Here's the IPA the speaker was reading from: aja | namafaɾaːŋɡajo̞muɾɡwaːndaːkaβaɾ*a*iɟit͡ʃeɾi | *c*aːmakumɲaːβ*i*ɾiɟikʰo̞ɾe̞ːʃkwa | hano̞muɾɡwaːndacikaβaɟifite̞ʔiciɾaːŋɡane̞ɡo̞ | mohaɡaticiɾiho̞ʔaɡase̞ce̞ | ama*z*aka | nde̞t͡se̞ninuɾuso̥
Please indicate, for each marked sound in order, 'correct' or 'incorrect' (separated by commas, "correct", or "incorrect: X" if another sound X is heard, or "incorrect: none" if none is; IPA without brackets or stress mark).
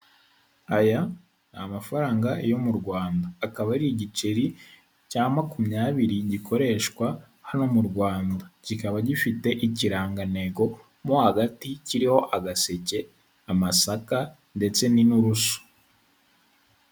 incorrect: i, correct, correct, incorrect: s